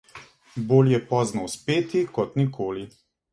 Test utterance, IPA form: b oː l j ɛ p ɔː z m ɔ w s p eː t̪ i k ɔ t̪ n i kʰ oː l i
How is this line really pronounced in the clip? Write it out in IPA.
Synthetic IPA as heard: b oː l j ɛ p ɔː z n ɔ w s p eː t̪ i k ɔ t̪ n i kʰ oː l i